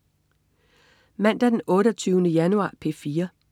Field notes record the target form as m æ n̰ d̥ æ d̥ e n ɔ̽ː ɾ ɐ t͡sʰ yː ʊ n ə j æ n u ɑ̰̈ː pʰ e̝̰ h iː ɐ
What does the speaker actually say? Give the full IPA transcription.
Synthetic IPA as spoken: m æ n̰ d̥ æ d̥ e n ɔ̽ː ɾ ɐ t͡sʰ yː ʊ n ə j æ n u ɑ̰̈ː pʰ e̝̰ f iː ɐ